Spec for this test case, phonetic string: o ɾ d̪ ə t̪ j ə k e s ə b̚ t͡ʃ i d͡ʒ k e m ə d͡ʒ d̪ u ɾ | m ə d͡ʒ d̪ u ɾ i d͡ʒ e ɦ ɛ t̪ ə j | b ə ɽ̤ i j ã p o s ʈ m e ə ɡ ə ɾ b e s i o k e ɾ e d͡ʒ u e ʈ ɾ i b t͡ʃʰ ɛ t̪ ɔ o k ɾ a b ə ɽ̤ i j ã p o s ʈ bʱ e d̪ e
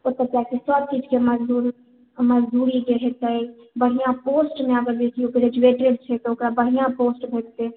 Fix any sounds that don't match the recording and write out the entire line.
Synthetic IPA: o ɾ t̪ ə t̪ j a k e s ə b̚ t͡ʃ i d͡ʒ k e m ə d͡ʒ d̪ u ɾ | m ə d͡ʒ d̪ u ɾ i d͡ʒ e ɦ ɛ t̪ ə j | b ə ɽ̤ i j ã p o s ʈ m e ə ɡ ə ɾ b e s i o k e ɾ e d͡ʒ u e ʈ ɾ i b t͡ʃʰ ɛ t̪ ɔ o k ɾ a b ə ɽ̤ i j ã p o s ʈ bʱ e t̪ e